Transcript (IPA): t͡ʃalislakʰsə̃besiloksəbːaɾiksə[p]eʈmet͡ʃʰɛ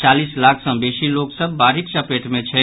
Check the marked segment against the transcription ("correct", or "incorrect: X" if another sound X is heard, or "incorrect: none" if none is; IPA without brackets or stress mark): correct